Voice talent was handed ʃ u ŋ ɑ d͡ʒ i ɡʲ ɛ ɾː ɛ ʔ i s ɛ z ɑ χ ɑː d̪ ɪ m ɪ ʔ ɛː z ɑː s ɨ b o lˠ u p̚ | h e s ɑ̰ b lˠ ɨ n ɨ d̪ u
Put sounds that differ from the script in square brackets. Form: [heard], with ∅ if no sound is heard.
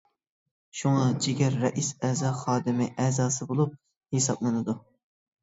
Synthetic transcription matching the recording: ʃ u ŋ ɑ d͡ʒ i ɡʲ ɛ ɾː ɛ ʔ i s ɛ z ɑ χ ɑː d̪ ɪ m ɪ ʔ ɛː z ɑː s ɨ b o lˠ u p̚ | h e s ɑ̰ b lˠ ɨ n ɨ d̪ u